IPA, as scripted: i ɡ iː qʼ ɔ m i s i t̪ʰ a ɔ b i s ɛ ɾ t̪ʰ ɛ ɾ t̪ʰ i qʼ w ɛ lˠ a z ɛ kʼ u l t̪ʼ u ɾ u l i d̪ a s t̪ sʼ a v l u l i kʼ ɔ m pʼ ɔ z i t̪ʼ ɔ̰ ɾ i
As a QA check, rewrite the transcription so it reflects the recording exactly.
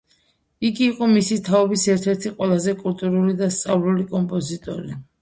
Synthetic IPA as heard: i ɡ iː qʼ ɔ m i s i t̪ʰ a ɔ b i s ɛ ɾ t̪ʰ ɛ ɾ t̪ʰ i qʼ w ɛ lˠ a z ɛ kʼ u l t̪ʼ u ɾ u l i d̪ a s t̪ sʼ a v l u l i kʼ ɔ m pʼ ɔ z i t̪ʼ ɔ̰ ɾ i

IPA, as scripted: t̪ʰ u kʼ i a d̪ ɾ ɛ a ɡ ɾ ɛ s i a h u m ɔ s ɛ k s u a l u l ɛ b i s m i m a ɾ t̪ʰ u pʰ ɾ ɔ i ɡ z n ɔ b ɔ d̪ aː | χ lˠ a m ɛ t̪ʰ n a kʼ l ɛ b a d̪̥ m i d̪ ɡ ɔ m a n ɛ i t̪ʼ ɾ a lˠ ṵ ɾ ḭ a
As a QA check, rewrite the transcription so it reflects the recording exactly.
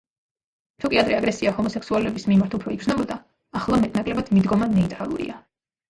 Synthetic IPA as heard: t̪ʰ u kʼ i a d̪ ɾ ɛ a ɡ ɾ ɛ s i a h ɔ m ɔ s ɛ k s u a l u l ɛ b i s m i m a ɾ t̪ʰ u pʰ ɾ ɔ i ɡ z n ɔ b ɔ d̪ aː | χ lˠ a m ɛ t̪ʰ n a kʼ l ɛ b a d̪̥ m i d̪ ɡ ɔ m a n ɛ i t̪ʼ ɾ a lˠ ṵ ɾ ḭ a

